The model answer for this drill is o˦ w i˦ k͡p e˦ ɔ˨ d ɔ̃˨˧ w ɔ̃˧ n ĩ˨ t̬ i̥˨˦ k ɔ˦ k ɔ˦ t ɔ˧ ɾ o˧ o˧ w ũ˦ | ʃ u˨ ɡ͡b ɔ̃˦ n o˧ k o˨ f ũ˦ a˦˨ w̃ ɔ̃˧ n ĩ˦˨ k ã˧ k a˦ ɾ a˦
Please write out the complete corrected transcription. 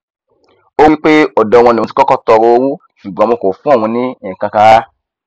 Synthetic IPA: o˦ w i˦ k͡p e˦ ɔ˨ d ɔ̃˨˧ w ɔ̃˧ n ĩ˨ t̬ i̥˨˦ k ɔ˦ k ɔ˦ t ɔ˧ ɾ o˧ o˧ w u˦ | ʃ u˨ ɡ͡b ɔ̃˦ m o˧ k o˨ f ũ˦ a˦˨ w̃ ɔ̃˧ n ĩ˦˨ k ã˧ k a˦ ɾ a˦